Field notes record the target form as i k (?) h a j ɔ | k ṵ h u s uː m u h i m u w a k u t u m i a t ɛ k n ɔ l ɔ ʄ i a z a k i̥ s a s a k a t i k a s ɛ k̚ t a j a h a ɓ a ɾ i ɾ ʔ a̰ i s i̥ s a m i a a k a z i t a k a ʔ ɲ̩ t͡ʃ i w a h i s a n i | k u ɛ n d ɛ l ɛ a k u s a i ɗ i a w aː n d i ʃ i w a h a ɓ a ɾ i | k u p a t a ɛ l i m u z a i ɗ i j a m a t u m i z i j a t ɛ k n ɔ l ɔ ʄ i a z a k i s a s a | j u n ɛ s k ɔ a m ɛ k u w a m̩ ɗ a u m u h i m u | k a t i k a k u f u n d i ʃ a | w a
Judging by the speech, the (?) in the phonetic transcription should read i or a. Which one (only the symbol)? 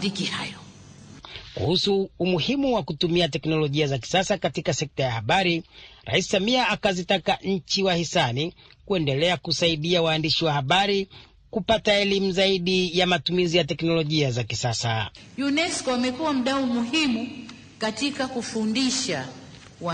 i